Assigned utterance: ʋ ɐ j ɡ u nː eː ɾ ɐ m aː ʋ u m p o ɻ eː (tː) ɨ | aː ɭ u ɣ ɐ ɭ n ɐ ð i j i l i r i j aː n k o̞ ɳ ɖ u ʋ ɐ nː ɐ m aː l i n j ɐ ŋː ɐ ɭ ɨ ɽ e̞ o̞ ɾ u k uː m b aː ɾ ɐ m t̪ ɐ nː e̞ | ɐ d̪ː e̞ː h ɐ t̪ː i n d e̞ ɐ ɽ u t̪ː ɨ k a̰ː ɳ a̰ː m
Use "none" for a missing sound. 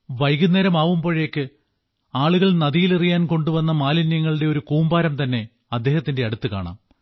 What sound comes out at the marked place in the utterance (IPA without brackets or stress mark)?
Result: kː